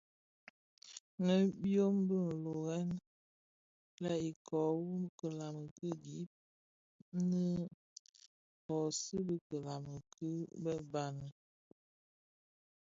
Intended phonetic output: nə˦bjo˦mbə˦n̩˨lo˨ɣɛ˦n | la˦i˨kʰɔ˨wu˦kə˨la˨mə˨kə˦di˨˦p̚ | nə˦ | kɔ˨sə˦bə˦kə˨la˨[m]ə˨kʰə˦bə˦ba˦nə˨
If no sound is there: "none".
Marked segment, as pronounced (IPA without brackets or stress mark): m